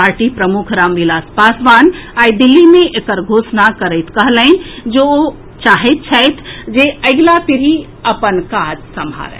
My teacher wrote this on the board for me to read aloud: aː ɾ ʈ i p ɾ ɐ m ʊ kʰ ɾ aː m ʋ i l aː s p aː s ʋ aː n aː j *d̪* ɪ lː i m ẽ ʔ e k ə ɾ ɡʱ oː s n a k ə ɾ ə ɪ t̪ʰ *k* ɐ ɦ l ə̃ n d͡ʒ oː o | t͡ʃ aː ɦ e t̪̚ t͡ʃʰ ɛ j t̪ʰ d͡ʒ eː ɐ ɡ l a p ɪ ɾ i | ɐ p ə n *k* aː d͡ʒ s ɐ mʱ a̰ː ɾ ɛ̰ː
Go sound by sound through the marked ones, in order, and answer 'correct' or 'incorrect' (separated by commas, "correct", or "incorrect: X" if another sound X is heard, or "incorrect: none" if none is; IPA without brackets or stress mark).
correct, correct, correct